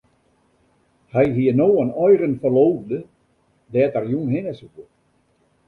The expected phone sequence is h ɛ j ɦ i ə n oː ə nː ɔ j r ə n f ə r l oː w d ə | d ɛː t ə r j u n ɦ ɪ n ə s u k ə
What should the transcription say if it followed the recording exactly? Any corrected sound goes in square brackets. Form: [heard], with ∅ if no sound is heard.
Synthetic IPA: h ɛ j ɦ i ə n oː ə [n] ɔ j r ə n f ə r l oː [v] d ə | d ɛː t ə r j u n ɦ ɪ n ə s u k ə